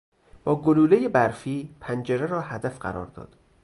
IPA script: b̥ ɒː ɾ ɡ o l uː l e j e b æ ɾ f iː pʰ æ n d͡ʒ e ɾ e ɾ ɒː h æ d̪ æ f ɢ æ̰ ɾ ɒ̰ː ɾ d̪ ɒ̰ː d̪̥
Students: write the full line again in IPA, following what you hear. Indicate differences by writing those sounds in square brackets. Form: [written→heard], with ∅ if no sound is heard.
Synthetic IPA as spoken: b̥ ɒː [ɾ→∅] ɡ o l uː l e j e b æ ɾ f iː pʰ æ n d͡ʒ e ɾ e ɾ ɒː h æ d̪ æ f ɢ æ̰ ɾ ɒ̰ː ɾ d̪ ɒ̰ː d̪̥

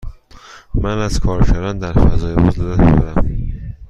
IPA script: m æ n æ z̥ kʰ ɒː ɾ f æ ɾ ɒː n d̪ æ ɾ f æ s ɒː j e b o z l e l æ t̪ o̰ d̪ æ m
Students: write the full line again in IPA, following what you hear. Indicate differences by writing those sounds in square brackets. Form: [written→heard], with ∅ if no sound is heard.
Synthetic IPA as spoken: m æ n æ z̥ kʰ ɒː ɾ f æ ɾ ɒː n d̪ æ ɾ f æ [s→z] ɒː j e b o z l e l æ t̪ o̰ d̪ æ m

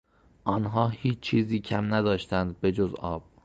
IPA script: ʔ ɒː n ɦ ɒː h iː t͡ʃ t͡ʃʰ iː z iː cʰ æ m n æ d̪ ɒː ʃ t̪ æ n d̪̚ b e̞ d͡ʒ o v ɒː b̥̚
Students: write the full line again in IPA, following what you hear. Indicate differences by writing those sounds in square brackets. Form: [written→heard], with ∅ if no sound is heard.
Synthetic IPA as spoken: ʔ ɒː n ɦ ɒː h iː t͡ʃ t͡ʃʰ iː z iː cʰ æ m n æ d̪ ɒː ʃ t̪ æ n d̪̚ b e̞ d͡ʒ o [v→z] ɒː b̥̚

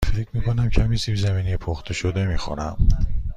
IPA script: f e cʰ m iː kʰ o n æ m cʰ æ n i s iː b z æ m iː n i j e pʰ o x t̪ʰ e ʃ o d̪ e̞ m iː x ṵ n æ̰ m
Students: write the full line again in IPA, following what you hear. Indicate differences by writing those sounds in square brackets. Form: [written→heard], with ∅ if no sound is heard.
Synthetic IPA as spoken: f e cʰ m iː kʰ o n æ m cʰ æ [n→m] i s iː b z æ m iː n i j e pʰ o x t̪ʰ e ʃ o d̪ e̞ m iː x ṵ n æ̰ m

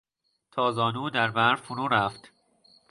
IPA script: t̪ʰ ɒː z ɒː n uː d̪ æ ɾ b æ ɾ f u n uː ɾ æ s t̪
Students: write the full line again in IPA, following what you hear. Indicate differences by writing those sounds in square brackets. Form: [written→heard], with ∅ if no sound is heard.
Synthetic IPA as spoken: t̪ʰ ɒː z ɒː n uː d̪ æ ɾ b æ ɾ f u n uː ɾ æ [s→f] t̪

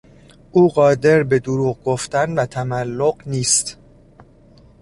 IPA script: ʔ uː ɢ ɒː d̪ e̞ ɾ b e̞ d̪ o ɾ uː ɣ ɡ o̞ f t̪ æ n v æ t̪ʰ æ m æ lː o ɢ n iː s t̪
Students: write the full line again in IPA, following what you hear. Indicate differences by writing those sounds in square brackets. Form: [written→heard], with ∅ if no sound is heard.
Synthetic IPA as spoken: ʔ uː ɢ ɒː d̪ e̞ ɾ b e̞ d̪ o ɾ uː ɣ ɡ o̞ f t̪ æ n v æ t̪ʰ æ m æ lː o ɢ n iː s t̪

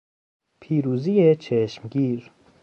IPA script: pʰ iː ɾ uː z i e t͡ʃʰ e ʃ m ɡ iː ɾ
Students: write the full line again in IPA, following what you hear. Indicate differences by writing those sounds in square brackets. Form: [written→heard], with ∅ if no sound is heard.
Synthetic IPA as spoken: pʰ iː ɾ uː z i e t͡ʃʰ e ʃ m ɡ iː ɾ

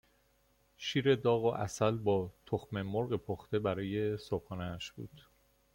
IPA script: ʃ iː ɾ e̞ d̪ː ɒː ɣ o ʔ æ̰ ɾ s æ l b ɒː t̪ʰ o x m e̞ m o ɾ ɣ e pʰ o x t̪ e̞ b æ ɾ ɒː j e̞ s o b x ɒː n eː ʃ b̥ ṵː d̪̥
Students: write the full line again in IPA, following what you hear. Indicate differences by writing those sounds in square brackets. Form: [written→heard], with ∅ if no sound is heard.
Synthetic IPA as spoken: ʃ iː ɾ e̞ [d̪ː→d̪] ɒː ɣ o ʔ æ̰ [ɾ→∅] s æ l b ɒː t̪ʰ o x m e̞ m o ɾ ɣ e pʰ o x t̪ e̞ b æ ɾ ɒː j e̞ s o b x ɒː n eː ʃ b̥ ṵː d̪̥

